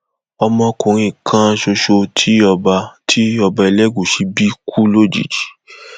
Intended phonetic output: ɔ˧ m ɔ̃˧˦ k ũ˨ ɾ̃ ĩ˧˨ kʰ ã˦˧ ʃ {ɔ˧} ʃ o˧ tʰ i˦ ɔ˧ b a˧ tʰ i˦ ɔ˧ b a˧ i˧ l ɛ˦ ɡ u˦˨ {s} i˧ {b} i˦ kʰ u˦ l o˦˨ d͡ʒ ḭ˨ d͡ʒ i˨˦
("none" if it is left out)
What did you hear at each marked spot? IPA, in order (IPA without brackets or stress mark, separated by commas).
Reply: o˧, ʃ, b